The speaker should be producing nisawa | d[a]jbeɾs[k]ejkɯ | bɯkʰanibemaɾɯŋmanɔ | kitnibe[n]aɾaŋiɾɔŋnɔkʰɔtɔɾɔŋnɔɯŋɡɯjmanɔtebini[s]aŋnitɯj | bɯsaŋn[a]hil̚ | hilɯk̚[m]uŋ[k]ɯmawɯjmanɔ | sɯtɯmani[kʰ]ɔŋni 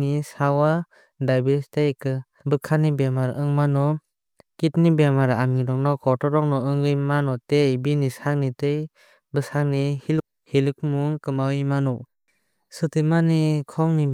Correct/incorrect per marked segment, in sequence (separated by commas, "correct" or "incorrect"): correct, incorrect, incorrect, correct, incorrect, correct, correct, correct